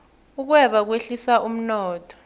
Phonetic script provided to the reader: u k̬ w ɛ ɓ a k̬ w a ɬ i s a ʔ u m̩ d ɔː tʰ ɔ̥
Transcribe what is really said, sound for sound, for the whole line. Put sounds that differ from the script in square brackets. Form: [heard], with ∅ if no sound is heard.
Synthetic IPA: u k̬ w ɛ ɓ a k̬ w [e] ɬ i s a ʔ u m̩ [n] ɔː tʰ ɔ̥